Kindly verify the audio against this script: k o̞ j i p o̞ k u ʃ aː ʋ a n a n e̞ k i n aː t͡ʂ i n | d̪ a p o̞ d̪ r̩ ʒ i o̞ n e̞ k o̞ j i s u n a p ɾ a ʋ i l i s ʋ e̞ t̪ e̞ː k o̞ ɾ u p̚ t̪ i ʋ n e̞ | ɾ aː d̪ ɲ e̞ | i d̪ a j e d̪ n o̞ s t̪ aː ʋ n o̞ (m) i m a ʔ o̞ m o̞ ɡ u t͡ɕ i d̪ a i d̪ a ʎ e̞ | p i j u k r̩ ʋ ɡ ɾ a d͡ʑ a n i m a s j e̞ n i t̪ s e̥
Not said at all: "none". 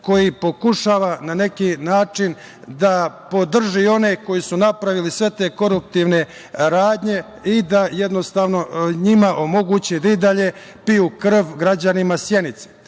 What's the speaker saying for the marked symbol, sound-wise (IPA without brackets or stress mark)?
ɲ